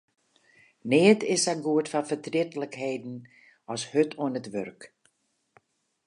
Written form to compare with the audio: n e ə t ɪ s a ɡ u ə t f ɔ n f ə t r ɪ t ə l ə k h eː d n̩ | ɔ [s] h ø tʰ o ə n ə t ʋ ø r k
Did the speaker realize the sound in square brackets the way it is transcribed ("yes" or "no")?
yes